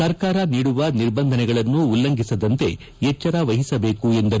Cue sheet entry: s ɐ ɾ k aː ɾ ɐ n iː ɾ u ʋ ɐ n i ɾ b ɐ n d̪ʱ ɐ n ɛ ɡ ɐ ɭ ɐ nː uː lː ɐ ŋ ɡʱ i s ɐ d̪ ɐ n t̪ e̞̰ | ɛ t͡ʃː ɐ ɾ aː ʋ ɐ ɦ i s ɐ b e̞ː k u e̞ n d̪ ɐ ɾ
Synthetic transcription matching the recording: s ɐ ɾ k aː ɾ ɐ n iː ɽ u ʋ ɐ n i ɾ b ɐ n d̪ʱ ɐ n ɛ ɡ ɐ ɭ ɐ nː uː lː ɐ ŋ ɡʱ i s ɐ d̪ ɐ n t̪ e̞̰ | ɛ t͡ʃː ɐ ɾ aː ʋ ɐ ɦ i s ɐ b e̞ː k u e̞ n d̪ ɐ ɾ